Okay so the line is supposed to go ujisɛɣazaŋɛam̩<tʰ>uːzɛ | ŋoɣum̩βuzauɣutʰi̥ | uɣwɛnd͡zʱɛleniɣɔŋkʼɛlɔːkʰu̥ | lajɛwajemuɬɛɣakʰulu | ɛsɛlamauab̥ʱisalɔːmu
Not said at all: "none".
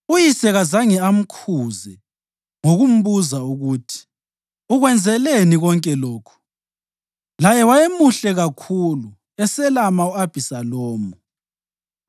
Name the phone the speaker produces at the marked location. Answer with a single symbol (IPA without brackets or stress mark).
kʰ